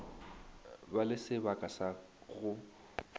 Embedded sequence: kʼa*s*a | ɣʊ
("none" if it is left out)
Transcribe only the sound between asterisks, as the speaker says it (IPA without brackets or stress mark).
s